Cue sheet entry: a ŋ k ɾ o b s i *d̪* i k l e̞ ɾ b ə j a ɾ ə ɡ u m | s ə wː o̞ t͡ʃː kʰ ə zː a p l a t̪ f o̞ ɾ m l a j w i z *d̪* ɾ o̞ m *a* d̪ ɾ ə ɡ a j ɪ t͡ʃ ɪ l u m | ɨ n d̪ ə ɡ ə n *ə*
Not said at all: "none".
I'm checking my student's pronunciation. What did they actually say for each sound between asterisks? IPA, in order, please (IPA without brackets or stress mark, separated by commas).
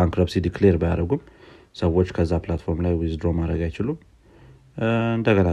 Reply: d̪, d̪, a, a